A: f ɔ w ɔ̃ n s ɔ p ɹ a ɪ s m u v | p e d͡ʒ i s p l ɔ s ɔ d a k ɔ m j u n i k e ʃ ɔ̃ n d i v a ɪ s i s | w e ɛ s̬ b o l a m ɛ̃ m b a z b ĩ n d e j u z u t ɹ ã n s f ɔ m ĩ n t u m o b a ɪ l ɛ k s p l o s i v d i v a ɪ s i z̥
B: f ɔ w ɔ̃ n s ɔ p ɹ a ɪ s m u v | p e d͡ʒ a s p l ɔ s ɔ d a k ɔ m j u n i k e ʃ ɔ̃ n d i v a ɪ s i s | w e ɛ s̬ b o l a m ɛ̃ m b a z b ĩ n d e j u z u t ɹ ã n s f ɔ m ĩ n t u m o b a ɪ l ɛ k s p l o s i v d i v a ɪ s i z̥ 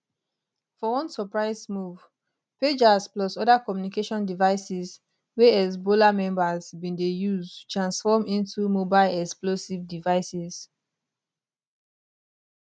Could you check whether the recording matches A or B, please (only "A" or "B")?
B